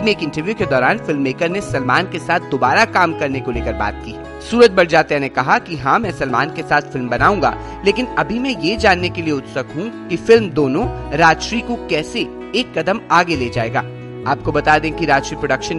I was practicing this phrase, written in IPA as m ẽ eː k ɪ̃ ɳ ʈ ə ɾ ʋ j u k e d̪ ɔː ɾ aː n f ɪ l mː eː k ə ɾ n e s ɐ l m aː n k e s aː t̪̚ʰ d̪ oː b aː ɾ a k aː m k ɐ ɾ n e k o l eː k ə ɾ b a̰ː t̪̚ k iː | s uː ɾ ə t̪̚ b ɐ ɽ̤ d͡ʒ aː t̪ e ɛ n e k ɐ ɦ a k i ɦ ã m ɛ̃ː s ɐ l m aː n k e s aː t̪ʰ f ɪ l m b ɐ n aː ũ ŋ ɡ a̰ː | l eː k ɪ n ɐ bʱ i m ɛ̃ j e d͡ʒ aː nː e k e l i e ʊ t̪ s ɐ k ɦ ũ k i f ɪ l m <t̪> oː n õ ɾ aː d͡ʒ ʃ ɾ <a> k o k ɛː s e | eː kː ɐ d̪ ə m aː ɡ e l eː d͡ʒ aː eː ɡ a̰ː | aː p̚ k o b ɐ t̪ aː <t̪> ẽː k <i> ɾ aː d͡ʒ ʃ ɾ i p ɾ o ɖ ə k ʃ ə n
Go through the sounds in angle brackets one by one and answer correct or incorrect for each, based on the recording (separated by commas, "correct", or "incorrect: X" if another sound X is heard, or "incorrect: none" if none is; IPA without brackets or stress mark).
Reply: incorrect: d̪, incorrect: i, incorrect: d̪, correct